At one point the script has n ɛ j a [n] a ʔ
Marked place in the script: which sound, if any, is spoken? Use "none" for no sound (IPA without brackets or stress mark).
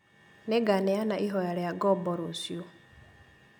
n